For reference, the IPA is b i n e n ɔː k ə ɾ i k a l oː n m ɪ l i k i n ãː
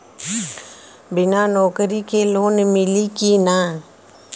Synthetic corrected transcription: b ɪ n a n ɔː k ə ɾ i k e l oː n m ɪ l i k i n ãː